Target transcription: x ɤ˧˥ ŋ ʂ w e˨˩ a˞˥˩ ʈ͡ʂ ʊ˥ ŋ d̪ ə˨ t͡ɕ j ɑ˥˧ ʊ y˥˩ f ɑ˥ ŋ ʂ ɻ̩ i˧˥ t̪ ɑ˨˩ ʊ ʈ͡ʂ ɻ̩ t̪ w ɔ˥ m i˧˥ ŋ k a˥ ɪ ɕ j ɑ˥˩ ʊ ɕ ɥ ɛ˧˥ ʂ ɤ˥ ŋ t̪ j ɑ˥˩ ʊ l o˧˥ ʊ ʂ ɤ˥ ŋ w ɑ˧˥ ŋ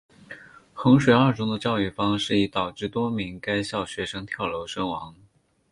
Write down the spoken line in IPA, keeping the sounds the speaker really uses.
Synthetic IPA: x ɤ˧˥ ŋ ʂ w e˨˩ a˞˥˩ ʈ͡ʂ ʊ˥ ŋ d̪ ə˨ t͡ɕ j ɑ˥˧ ʊ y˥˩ f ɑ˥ ŋ ʂ ɻ̩ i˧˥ t̪ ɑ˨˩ ʊ ʈ͡ʂ ɻ̩ t̪ w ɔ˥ m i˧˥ ŋ k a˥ ɪ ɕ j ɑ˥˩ ʊ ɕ ɥ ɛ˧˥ ʂ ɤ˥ ŋ t̪ʰ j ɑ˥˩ ʊ l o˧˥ ʊ ʂ ɤ˥ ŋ w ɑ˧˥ ŋ